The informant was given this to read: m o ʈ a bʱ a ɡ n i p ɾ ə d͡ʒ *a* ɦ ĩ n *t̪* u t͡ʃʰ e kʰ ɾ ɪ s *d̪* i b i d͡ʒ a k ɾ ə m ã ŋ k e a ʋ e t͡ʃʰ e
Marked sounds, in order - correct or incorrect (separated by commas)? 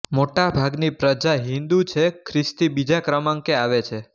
correct, incorrect, incorrect